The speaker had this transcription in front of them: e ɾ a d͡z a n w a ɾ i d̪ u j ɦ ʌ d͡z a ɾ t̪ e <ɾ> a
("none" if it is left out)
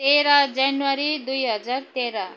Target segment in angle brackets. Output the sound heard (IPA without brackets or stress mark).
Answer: ɾ